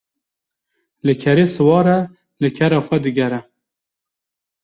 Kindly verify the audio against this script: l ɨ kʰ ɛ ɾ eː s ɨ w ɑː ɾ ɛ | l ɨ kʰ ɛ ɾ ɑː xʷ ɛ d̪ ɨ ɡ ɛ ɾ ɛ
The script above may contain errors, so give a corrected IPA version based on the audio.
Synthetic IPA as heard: l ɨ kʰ ɛ ɾ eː s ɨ w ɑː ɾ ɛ | l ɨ kʰ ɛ ɾ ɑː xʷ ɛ d̪ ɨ ɡ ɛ ɾ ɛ

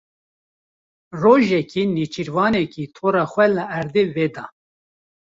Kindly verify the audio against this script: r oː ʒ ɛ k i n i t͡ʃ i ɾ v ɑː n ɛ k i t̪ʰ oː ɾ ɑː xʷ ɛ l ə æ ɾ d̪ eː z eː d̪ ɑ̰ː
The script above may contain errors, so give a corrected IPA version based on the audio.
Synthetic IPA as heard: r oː ʒ ɛ k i n i t͡ʃ i ɾ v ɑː n ɛ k i t̪ʰ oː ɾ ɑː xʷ ɛ l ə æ ɾ d̪ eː v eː d̪ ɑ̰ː

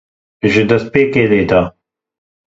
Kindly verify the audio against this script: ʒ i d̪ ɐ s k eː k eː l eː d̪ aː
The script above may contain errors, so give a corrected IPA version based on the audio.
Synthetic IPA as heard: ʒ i d̪ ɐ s p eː k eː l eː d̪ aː

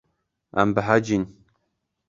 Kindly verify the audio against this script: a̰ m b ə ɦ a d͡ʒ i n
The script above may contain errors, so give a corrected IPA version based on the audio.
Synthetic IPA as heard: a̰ m b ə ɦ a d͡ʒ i n

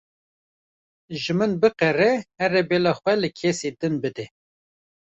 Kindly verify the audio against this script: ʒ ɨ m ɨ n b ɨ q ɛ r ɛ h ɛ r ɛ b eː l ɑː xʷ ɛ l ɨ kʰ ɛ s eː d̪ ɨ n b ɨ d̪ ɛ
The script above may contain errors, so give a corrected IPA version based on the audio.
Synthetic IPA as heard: ʒ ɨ m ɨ n b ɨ q ɛ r ɛ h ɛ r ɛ b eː l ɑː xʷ ɛ l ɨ kʰ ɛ s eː d̪ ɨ n b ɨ d̪ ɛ

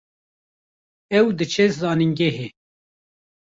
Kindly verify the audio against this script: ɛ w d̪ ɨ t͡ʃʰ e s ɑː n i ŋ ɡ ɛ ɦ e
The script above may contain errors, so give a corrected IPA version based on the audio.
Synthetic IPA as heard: ɛ w d̪ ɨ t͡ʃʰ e z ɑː n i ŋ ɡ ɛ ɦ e

